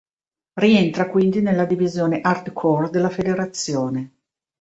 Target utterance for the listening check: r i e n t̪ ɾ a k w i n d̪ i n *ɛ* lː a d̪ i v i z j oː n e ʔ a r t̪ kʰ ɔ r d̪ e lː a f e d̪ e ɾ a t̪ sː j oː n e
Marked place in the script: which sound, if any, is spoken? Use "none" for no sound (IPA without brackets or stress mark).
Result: e